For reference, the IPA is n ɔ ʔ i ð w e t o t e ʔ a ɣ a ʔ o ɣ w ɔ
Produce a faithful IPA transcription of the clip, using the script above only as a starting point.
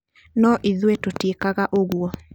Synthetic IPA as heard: n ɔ ʔ i ð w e t o t e k a ɣ a ʔ o ɣ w ɔ